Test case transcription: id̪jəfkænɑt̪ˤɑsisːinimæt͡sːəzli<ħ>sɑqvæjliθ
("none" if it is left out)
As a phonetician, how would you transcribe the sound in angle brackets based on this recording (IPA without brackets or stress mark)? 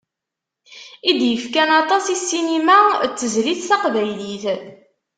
θ